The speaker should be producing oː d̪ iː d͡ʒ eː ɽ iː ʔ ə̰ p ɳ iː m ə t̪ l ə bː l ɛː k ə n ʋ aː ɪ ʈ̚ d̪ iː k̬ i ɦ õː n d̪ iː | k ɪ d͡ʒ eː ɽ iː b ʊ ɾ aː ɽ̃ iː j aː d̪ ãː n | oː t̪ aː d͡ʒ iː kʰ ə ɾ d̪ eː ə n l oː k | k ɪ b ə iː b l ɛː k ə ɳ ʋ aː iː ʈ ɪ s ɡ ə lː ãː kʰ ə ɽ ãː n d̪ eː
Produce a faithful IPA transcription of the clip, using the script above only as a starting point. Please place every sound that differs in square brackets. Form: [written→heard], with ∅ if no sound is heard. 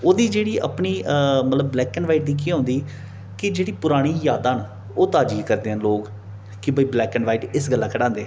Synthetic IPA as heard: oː d̪ iː d͡ʒ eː ɽ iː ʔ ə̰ p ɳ iː m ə t̪ l ə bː l ɛː k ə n ʋ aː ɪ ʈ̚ d̪ iː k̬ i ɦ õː n d̪ iː | k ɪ d͡ʒ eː ɽ iː [b→p] ʊ ɾ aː ɽ̃ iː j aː d̪ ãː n | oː t̪ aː d͡ʒ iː [kʰ→k] ə ɾ d̪ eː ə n l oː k | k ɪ b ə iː b l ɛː k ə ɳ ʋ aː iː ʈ ɪ s ɡ ə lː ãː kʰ ə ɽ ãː n d̪ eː